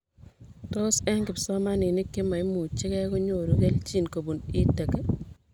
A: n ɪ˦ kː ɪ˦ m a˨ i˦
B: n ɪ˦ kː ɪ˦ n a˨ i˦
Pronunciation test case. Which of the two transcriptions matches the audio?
A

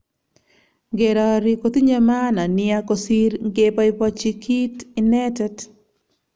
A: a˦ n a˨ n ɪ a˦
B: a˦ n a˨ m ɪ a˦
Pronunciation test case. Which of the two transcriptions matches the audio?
A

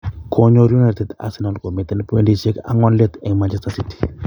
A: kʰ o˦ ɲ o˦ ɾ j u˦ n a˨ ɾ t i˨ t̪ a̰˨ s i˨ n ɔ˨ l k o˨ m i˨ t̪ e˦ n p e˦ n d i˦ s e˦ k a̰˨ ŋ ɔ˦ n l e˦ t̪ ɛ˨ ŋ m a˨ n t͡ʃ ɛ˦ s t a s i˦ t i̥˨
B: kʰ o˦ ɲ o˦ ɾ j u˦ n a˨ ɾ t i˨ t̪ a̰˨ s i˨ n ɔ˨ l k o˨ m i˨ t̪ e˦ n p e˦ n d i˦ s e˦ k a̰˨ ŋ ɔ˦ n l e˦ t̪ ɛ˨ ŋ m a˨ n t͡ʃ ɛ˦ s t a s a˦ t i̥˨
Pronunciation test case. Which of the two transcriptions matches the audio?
A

